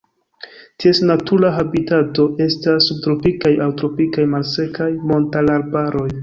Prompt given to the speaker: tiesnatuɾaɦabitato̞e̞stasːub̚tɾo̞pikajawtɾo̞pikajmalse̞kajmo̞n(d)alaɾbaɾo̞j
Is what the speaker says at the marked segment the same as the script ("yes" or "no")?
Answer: no